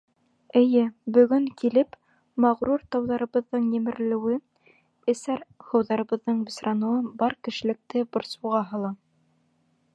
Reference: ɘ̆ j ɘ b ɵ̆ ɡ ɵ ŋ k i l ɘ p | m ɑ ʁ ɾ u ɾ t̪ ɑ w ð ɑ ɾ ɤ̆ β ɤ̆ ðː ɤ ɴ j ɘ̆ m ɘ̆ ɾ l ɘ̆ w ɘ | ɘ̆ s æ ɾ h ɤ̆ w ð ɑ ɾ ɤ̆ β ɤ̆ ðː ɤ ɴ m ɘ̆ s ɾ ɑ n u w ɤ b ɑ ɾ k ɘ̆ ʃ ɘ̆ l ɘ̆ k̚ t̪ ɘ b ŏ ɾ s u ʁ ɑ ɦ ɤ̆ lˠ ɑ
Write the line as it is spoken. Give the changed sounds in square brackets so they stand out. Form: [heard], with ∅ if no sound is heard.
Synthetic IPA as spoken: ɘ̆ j ɘ b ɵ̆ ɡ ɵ ŋ k i l ɘ p | m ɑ ʁ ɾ u ɾ t̪ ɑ w ð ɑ ɾ ɤ̆ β ɤ̆ ðː ɤ ɴ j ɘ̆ m ɘ̆ ɾ l ɘ̆ w ɘ | ɘ̆ s æ ɾ h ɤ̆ w ð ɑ ɾ ɤ̆ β ɤ̆ ðː ɤ ɴ [b] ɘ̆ s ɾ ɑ n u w ɤ b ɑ ɾ k ɘ̆ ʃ ɘ̆ l ɘ̆ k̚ t̪ ɘ b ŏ ɾ s u ʁ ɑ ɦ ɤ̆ lˠ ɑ